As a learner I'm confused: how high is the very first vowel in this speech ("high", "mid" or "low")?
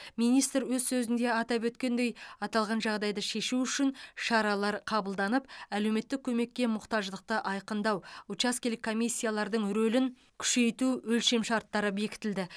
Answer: high